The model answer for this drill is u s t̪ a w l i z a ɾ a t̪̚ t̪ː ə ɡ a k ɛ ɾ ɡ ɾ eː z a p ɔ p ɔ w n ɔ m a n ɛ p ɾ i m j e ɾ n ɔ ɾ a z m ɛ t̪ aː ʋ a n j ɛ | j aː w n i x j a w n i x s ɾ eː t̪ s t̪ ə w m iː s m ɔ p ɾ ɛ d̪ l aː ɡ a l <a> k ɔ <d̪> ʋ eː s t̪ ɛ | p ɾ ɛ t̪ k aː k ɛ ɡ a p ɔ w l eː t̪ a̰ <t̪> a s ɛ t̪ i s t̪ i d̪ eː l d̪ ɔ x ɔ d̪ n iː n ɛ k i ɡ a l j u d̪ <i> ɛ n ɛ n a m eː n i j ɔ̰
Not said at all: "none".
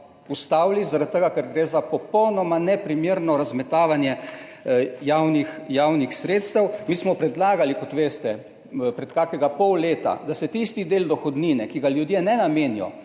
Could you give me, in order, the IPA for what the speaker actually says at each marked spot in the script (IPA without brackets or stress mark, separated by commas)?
i, t̪, d̪, j